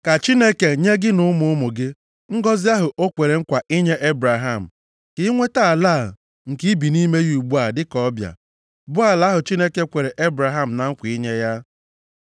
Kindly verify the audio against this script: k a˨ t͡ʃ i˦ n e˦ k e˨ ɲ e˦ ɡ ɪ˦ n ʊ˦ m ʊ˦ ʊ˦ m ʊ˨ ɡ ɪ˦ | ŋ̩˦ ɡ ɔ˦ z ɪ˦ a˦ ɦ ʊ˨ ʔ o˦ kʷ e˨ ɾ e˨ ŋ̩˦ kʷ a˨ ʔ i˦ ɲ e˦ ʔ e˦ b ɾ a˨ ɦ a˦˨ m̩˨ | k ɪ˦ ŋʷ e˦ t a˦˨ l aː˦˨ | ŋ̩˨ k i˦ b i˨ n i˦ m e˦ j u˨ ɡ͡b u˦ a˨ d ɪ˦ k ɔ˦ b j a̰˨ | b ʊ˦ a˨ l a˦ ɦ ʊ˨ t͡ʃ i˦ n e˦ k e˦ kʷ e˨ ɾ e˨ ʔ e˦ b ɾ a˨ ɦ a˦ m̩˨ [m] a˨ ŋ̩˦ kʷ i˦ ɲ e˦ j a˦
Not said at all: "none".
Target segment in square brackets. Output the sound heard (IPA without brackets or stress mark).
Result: n